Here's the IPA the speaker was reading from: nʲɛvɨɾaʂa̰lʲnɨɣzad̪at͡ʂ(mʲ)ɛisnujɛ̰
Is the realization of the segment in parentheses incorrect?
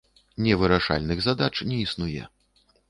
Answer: yes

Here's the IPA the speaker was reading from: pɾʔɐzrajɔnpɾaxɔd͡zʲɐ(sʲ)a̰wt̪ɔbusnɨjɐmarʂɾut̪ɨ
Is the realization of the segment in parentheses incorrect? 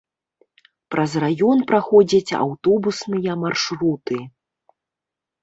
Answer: yes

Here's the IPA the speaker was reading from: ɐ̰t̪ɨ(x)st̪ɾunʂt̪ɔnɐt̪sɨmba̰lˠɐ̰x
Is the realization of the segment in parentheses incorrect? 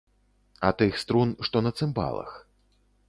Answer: no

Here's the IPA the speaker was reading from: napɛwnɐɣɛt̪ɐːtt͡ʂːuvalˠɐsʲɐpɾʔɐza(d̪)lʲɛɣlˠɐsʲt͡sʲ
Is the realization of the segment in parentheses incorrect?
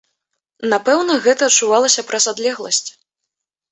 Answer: no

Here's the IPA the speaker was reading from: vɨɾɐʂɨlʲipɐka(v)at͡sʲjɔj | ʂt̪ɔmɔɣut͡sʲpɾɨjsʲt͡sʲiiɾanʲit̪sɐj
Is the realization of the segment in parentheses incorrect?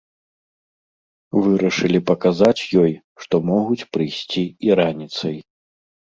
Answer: yes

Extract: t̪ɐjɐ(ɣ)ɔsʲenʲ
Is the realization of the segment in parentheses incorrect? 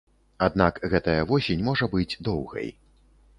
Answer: yes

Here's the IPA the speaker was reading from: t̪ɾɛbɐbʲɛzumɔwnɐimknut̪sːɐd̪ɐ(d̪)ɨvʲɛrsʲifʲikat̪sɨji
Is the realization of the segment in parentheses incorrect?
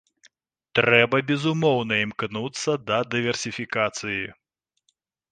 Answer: no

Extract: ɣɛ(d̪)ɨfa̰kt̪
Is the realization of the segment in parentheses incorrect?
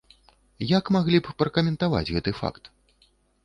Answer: yes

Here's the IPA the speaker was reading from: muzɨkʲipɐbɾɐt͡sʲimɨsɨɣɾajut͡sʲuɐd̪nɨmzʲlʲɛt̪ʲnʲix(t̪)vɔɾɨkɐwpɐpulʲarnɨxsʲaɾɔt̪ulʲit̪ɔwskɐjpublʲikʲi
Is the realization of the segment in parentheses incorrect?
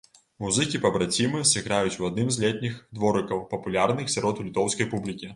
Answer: yes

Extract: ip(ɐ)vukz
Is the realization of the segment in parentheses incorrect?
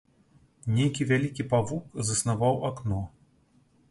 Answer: yes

